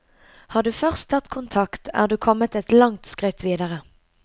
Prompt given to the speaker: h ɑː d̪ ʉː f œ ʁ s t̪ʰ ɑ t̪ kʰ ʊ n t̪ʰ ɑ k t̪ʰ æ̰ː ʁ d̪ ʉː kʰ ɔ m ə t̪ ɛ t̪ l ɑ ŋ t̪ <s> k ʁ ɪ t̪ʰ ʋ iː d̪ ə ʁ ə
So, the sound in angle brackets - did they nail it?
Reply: yes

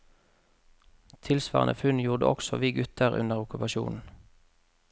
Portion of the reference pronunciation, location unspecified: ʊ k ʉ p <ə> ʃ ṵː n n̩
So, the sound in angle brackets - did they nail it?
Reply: no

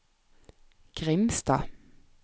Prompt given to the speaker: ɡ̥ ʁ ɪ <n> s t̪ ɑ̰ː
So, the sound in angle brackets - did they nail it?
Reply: no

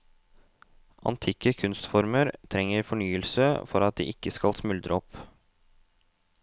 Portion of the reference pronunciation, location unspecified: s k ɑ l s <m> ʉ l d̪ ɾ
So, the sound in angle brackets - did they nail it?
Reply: yes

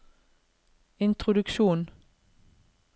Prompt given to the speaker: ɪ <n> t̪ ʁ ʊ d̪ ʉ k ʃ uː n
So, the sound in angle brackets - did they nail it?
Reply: yes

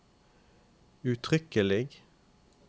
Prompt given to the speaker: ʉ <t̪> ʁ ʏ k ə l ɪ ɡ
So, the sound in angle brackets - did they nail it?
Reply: no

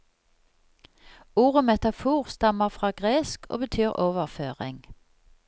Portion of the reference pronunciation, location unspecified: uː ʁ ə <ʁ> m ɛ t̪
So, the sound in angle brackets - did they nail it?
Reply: no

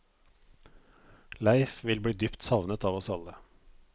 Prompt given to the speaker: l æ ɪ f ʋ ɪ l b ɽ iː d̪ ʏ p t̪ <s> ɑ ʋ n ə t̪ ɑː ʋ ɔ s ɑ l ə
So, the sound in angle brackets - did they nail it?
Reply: yes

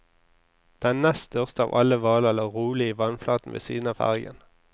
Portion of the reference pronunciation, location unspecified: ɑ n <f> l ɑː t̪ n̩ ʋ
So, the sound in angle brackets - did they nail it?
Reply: yes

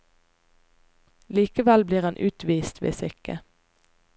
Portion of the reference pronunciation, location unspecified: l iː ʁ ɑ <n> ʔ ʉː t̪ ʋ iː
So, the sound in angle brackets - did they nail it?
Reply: yes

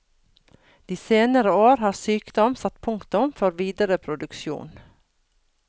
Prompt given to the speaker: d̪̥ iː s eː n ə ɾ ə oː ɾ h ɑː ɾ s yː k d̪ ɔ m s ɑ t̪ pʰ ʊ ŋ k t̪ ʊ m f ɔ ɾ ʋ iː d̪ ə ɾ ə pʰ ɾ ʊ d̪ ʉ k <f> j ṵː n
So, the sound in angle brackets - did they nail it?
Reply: no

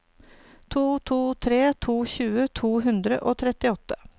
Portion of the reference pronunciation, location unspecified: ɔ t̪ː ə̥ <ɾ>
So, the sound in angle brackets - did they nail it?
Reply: no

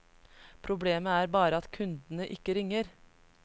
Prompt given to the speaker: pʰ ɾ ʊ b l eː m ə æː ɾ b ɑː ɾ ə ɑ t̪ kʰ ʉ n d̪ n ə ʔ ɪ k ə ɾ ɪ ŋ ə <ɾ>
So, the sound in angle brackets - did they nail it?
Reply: yes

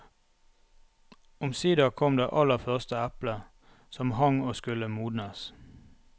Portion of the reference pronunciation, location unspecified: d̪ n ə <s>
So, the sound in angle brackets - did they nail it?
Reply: yes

